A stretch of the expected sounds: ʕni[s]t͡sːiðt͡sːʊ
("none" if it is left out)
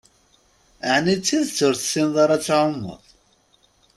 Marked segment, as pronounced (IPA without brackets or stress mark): none